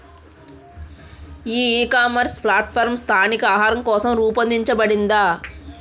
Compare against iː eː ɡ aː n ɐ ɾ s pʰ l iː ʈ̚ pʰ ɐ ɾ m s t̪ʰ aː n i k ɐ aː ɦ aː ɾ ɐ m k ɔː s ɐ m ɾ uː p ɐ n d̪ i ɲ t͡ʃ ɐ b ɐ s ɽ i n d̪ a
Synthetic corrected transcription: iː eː k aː m ɐ ɾ s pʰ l aː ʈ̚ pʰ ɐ ɾ m s t̪ʰ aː n i k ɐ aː ɦ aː ɾ ɐ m k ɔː s ɐ m ɾ uː p ɐ n d̪ i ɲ t͡ʃ ɐ b ɐ ɽ i n d̪ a